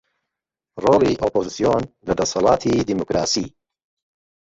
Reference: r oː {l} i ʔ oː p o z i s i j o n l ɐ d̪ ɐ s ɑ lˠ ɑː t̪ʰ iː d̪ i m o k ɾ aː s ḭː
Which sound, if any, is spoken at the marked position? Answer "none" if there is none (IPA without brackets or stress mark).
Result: l